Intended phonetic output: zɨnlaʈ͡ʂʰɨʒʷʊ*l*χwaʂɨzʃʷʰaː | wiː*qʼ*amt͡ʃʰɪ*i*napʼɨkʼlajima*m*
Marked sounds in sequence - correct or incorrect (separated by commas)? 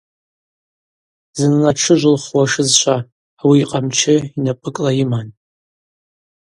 correct, correct, correct, incorrect